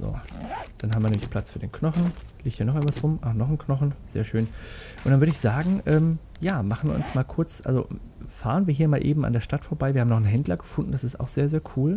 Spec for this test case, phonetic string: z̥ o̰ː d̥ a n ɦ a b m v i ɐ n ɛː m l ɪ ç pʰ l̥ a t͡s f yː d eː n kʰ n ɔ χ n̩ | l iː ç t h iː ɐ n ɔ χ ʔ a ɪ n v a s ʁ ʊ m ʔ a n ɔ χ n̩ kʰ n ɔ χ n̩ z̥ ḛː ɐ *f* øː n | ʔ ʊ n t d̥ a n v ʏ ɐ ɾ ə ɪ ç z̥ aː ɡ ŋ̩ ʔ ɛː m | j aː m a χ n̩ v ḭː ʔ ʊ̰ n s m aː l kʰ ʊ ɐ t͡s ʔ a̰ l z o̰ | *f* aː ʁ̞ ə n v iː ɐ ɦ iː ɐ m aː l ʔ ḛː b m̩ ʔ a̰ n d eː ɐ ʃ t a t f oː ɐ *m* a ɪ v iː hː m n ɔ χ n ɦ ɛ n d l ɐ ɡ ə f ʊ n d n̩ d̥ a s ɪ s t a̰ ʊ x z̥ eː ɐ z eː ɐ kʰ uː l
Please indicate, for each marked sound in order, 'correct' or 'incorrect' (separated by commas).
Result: incorrect, correct, incorrect